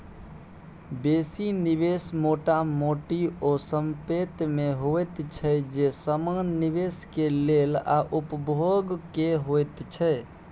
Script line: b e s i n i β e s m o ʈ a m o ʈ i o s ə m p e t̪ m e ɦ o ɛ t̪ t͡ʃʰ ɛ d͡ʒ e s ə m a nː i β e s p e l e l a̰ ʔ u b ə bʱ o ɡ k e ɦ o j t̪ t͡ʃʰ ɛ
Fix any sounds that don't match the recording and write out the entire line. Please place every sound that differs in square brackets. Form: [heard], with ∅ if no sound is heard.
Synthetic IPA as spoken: b e s i n i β e s m o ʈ a m o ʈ i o s ə m p e t̪ m e ɦ o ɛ t̪ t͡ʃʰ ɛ d͡ʒ e s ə m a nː i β e s [k] e l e l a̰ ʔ u [p] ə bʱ o ɡ k e ɦ o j t̪ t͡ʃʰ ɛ